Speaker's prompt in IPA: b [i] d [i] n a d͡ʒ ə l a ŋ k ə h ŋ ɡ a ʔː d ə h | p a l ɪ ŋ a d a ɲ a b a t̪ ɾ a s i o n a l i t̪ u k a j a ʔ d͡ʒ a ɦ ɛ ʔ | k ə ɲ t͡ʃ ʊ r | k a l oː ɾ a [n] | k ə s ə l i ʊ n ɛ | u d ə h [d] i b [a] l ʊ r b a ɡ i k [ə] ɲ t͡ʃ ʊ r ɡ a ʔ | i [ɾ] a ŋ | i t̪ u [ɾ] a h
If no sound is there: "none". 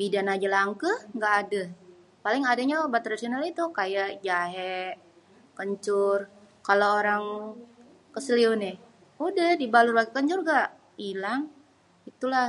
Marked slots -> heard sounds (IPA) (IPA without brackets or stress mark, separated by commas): i, a, ŋ, d, a, ə, l, l